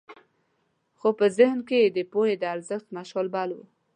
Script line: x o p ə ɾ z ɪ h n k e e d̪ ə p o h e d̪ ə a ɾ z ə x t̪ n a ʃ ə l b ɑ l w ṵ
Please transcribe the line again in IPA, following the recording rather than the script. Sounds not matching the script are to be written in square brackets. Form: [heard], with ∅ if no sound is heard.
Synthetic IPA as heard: x o p ə [∅] z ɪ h n k e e d̪ ə p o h e d̪ ə a ɾ z ə x t̪ [m] a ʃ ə l b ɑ l w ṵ